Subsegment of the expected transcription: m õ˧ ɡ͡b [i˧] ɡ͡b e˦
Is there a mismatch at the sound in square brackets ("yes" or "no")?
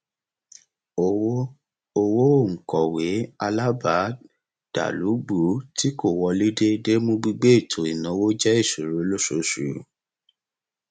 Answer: no